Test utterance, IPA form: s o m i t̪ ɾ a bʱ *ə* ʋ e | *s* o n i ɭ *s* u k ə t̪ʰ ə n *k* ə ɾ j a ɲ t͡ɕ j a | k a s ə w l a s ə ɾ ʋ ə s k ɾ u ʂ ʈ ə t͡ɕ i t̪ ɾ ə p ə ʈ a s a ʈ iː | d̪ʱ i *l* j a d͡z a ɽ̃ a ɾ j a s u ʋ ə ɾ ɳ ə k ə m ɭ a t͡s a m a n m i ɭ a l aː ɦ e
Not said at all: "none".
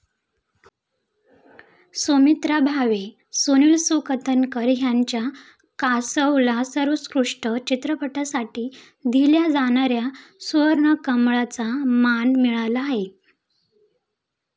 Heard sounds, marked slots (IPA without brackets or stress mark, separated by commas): a, s, s, k, l